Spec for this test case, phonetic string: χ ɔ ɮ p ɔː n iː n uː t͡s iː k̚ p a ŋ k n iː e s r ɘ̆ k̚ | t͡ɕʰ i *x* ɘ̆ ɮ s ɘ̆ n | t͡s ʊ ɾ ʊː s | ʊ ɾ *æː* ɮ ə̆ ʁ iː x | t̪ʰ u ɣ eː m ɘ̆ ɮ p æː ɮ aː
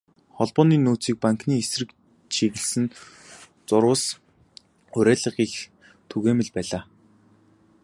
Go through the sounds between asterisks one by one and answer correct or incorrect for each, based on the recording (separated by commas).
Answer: incorrect, correct